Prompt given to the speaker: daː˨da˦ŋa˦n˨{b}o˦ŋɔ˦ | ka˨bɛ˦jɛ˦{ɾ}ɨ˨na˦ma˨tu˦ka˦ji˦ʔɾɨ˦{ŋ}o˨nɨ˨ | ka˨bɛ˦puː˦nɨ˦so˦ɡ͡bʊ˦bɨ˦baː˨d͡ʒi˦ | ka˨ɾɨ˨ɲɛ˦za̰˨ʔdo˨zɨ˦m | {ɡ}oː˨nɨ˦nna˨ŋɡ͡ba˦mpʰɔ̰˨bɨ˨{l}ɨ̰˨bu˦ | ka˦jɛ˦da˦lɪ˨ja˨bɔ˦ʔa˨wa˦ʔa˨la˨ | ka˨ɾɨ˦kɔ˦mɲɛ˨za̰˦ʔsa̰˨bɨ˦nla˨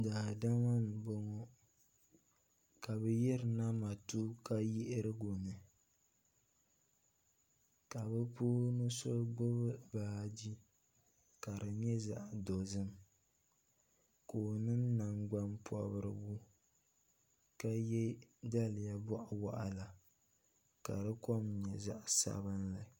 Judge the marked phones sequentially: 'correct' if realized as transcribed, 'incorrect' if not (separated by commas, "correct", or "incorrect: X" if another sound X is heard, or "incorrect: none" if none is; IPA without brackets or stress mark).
correct, correct, incorrect: ɡ, incorrect: k, incorrect: ɾ